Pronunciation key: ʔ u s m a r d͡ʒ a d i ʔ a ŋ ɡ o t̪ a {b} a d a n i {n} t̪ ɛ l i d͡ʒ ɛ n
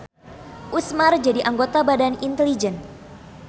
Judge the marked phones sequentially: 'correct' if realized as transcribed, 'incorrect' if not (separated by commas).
correct, correct